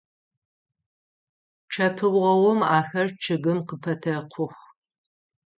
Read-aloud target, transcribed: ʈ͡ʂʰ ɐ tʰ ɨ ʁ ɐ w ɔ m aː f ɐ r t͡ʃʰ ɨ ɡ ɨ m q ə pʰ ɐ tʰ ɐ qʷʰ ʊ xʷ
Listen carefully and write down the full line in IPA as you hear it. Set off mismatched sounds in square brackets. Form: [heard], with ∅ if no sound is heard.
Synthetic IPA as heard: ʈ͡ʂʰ ɐ [pʰ] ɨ ʁ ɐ w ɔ m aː [x] ɐ r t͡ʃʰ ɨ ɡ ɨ m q ə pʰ ɐ tʰ ɐ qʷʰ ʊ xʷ